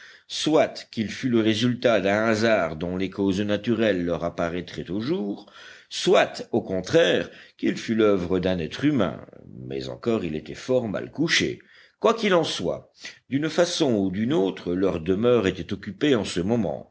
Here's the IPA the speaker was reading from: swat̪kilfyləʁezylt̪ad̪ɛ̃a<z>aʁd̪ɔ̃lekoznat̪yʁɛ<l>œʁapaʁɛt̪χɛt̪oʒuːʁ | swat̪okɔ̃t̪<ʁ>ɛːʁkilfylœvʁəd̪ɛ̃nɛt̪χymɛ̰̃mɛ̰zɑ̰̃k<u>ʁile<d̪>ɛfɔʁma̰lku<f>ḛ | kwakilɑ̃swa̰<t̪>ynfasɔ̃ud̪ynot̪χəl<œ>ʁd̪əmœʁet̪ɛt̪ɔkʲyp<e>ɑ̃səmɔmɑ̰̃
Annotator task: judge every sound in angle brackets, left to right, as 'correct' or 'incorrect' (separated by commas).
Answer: correct, incorrect, incorrect, incorrect, incorrect, incorrect, incorrect, correct, correct